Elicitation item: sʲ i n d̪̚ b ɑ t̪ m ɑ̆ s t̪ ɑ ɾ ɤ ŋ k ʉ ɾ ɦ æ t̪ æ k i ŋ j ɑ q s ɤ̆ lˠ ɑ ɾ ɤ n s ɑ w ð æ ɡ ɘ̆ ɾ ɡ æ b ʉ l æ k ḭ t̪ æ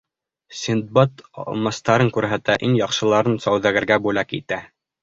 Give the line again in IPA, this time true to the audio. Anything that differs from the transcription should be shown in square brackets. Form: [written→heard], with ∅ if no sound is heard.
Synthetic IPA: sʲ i n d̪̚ b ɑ t̪ m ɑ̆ s t̪ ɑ ɾ ɤ ŋ k ʉ ɾ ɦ æ t̪ æ [k→ʔ] i ŋ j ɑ q [s→ʃ] ɤ̆ lˠ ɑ ɾ ɤ n s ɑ w ð æ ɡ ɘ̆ ɾ ɡ æ b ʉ l æ k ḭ t̪ æ